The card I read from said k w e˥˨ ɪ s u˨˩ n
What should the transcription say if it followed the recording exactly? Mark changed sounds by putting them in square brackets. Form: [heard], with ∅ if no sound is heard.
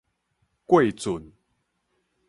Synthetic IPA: k w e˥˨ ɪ [t͡s] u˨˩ n